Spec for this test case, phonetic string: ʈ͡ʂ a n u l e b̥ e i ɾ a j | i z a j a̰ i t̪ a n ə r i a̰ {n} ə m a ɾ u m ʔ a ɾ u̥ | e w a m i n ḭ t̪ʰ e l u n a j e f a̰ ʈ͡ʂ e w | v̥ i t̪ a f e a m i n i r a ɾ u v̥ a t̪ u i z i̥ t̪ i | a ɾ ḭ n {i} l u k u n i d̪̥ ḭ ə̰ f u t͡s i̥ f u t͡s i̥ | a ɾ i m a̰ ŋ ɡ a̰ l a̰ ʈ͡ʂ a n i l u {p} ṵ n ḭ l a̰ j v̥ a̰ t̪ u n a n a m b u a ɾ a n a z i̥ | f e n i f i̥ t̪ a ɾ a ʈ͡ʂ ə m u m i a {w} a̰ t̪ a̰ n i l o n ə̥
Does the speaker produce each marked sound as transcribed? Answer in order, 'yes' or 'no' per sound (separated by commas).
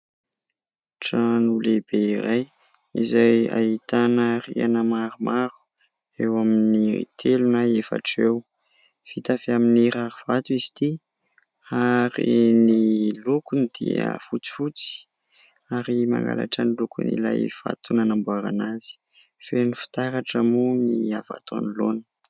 yes, yes, no, no